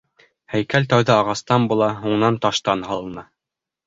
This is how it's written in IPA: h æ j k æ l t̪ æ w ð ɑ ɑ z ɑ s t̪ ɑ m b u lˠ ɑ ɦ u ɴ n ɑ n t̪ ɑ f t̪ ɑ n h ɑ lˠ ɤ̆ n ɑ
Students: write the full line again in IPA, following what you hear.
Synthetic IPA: h æ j k æ l t̪ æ w ð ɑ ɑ ʁ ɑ s t̪ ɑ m b u lˠ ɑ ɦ u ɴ n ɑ n t̪ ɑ ʃ t̪ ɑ n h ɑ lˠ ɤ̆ n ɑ